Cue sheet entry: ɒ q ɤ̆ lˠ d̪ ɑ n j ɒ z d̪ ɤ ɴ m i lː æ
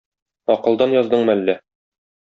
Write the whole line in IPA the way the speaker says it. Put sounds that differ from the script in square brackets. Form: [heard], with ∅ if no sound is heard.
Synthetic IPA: ɒ q ɤ̆ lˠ d̪ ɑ n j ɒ z d̪ ɤ ɴ m [æ] lː æ